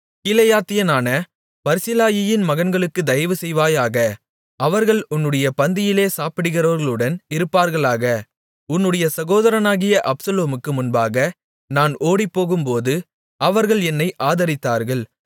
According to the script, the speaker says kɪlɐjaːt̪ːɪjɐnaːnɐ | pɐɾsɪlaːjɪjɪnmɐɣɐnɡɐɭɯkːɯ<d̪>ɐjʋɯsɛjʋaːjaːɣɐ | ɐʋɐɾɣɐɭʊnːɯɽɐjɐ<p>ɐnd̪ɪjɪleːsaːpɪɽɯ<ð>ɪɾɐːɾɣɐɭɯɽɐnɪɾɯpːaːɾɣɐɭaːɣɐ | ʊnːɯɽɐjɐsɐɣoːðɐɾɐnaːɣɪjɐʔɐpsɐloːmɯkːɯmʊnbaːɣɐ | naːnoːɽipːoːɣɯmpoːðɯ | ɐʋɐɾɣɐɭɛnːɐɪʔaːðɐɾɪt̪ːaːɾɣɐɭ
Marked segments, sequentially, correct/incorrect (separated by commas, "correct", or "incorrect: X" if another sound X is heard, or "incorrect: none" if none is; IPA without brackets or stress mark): correct, correct, incorrect: ɣ